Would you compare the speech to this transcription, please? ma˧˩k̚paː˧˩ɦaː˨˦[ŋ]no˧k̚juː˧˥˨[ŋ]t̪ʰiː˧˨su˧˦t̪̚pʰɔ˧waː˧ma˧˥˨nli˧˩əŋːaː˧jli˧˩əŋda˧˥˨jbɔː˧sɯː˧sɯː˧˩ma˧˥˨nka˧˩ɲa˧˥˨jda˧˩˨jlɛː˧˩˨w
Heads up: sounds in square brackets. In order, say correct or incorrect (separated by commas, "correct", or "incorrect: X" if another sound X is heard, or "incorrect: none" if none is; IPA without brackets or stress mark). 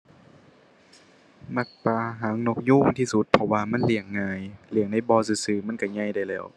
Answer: correct, correct